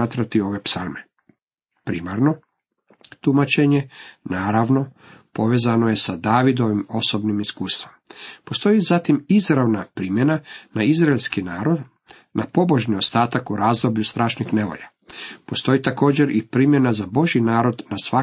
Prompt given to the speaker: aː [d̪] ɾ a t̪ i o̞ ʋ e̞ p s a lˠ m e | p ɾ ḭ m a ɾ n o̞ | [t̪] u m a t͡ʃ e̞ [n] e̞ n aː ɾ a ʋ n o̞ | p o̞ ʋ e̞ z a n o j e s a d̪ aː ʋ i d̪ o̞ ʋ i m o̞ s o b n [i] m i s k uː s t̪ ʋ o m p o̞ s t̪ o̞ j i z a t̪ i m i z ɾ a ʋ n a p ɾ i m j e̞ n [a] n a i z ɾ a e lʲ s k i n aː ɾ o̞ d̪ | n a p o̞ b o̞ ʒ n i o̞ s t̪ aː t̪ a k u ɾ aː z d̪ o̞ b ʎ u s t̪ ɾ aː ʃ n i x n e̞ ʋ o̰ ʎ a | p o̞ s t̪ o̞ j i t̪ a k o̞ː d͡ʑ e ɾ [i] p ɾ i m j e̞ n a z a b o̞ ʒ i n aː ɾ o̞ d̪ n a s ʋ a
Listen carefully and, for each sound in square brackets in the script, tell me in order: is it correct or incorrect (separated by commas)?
incorrect, correct, incorrect, correct, correct, correct